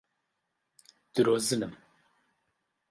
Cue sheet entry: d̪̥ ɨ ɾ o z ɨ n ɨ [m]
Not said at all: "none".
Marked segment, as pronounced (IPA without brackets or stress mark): m